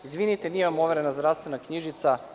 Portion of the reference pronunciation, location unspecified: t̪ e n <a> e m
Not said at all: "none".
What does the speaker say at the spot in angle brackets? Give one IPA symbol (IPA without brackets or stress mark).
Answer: i